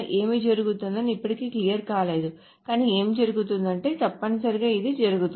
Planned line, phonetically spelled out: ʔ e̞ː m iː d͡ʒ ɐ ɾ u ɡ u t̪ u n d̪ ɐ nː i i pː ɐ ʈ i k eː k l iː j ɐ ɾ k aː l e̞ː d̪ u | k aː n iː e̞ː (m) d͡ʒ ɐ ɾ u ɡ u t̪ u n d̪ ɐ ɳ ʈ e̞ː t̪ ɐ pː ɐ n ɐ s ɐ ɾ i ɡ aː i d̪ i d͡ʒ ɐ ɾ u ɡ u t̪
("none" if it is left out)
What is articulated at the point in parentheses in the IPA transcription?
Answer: m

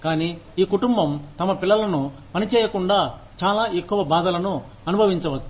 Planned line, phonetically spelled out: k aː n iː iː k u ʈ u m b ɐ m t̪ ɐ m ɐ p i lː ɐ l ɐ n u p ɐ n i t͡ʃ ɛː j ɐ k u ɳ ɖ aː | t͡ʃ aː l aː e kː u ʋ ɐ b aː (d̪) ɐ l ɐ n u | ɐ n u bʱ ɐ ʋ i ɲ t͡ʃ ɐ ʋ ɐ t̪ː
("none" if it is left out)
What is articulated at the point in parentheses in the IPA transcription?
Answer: d̪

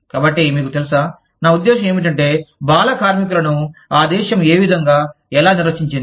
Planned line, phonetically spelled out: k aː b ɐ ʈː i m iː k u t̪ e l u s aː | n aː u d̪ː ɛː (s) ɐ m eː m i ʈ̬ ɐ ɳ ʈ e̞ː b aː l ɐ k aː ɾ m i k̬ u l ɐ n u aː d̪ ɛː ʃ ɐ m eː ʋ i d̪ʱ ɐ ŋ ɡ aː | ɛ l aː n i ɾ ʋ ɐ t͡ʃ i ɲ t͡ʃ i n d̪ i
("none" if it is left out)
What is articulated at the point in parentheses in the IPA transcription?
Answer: ʃ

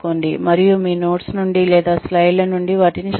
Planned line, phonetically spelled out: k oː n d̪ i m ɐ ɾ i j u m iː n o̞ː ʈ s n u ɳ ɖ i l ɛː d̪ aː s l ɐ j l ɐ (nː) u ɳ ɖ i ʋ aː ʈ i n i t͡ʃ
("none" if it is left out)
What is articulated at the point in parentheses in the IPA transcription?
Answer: n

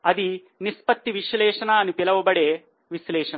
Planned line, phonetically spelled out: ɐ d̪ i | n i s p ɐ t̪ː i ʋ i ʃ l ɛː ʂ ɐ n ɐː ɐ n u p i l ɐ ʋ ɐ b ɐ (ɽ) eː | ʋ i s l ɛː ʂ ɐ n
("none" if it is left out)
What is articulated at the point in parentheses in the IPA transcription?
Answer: ɽ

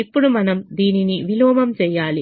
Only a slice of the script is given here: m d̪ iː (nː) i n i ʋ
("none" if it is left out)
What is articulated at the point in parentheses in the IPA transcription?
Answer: n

